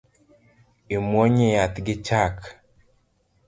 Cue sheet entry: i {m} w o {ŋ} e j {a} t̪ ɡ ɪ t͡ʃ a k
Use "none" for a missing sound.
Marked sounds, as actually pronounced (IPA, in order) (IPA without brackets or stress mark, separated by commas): m, ɲ, a